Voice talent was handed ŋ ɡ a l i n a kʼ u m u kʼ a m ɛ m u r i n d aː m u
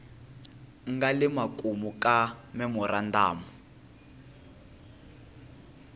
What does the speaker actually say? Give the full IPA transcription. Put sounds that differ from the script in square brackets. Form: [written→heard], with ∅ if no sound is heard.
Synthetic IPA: ŋ ɡ a l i [n→m] a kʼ u m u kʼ a m ɛ m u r [i→a] n d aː m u